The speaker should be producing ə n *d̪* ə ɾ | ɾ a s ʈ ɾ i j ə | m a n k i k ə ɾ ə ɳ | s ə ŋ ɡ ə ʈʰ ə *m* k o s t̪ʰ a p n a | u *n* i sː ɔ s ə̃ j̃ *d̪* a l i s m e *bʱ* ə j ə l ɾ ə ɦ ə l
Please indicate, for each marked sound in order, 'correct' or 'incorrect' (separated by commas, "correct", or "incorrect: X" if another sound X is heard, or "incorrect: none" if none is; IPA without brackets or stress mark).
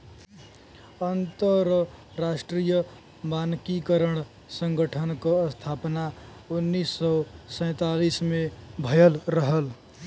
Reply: incorrect: t̪, incorrect: n, incorrect: nː, incorrect: t̪, correct